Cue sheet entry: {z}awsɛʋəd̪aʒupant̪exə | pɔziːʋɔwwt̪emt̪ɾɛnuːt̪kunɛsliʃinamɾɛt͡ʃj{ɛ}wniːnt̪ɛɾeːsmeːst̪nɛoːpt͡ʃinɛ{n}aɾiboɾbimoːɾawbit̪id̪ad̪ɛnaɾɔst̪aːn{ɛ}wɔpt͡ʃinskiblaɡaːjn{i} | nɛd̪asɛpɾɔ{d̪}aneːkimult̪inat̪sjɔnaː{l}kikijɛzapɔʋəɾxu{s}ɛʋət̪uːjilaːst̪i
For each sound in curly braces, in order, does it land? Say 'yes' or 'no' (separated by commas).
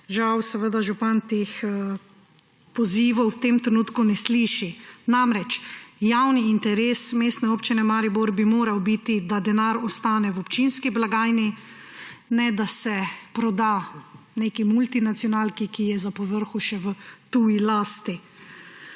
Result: no, no, no, yes, yes, yes, yes, no